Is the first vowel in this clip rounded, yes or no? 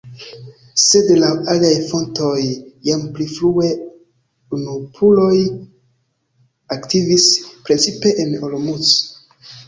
no